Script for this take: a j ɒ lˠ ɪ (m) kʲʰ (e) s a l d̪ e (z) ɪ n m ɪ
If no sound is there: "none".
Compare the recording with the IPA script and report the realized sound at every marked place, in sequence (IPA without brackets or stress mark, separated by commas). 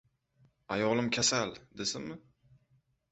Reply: m, a, s